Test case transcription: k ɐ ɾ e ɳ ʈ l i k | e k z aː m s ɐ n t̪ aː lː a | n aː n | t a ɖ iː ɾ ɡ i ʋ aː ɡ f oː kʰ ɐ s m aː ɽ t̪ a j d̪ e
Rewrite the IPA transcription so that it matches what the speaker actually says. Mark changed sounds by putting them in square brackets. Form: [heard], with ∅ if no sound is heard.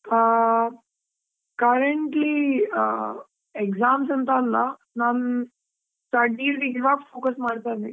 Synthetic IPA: k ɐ ɾ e ɳ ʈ l i [∅] | e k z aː m s ɐ n t̪ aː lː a | n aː n | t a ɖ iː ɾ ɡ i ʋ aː ɡ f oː [k] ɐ s m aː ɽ t̪ a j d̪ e